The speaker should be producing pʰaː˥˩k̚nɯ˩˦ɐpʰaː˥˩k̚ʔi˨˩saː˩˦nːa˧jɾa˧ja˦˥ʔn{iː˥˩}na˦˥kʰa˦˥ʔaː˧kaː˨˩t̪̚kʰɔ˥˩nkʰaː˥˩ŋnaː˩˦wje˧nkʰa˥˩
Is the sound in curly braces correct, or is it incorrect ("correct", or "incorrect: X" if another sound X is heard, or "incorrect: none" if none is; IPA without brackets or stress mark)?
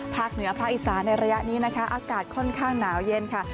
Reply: incorrect: iː˦˥